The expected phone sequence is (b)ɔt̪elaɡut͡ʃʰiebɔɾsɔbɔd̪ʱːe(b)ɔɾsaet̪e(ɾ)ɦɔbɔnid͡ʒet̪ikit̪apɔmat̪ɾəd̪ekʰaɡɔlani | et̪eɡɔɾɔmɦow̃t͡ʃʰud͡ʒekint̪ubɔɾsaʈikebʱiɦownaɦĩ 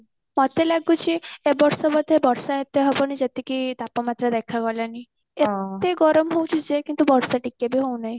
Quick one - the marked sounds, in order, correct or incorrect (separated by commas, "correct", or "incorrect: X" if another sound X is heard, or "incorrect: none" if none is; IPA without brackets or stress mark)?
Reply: incorrect: m, correct, incorrect: none